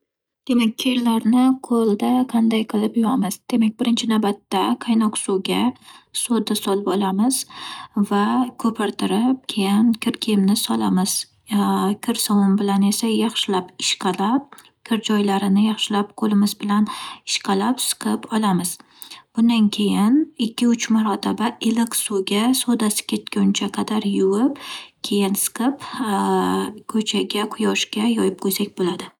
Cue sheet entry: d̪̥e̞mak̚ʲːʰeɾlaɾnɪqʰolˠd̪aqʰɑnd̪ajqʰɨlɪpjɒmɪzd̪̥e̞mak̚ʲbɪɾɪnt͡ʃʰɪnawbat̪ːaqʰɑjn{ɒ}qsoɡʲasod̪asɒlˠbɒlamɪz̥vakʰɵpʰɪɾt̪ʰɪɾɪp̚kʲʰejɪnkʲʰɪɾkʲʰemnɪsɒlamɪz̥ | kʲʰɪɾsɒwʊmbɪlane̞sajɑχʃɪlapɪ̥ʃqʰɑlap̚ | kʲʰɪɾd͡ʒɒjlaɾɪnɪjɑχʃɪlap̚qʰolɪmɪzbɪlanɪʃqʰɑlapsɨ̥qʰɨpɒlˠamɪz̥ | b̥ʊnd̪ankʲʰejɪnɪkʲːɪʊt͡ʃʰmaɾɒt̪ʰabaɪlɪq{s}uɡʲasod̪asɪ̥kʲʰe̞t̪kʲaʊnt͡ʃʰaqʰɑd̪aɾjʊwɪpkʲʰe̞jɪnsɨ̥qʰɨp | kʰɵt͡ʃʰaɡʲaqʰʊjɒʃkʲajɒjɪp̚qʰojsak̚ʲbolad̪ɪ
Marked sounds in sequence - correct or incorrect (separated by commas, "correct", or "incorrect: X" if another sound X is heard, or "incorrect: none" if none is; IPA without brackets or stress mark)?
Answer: correct, correct